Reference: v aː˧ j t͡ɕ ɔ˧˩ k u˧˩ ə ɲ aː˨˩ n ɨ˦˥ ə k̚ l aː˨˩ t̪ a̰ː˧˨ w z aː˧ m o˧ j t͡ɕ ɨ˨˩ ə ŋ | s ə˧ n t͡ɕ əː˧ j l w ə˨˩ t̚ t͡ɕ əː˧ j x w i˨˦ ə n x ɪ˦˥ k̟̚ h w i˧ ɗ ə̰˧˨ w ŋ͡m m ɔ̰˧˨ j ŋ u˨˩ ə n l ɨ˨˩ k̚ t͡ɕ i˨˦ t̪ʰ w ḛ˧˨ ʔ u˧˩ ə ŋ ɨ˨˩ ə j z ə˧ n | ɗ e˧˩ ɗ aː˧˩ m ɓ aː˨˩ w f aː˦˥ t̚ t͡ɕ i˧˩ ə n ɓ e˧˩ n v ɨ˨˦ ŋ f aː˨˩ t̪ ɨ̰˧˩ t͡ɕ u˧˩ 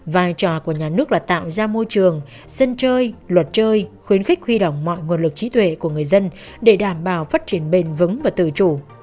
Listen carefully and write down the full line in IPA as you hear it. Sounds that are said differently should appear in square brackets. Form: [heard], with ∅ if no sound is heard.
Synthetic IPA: v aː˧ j t͡ɕ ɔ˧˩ k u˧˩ ə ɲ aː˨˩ n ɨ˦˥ ə k̚ l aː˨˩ t̪ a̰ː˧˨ w z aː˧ m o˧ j t͡ɕ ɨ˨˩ ə ŋ | s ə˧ n t͡ɕ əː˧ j l w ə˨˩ t̚ t͡ɕ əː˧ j x w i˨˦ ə n x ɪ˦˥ k̟̚ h w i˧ ɗ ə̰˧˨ w ŋ͡m m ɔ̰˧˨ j ŋ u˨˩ ə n l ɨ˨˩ k̚ t͡ɕ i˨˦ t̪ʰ w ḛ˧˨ [k] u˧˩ ə ŋ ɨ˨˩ ə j z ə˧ n | ɗ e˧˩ ɗ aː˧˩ m ɓ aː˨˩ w f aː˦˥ t̚ t͡ɕ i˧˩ ə n ɓ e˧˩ n v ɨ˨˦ ŋ [v] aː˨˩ t̪ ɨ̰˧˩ t͡ɕ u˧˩